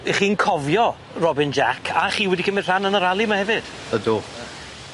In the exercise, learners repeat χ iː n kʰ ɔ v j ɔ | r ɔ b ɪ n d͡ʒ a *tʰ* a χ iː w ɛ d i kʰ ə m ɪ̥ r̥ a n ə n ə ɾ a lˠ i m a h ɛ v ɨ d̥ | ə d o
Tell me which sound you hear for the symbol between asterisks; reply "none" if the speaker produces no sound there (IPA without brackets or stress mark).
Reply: kʰ